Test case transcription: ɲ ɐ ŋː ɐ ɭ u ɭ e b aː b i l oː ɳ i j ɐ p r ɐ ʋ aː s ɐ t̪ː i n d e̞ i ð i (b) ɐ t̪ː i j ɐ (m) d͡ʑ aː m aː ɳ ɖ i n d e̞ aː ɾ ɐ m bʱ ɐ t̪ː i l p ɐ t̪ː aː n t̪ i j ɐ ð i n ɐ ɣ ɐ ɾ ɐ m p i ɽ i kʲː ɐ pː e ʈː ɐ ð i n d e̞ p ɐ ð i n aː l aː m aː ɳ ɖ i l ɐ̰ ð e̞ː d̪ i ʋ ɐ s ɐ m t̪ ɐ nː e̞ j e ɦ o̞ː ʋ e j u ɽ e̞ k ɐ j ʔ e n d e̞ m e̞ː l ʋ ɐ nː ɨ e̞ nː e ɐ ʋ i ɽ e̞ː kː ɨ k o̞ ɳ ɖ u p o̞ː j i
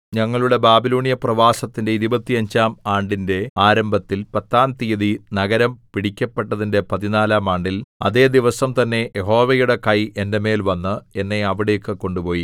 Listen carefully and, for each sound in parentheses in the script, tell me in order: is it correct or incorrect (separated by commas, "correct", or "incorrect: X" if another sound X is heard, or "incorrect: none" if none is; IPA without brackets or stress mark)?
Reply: correct, incorrect: ɲ